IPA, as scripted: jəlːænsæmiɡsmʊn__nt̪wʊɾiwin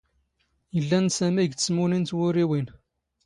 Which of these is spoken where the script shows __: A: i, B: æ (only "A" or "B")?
A